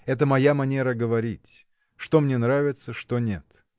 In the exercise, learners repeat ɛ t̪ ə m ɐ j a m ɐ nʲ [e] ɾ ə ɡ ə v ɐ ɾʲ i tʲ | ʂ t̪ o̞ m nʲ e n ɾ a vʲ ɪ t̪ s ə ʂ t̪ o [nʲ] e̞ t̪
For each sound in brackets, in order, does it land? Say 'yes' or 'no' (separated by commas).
yes, yes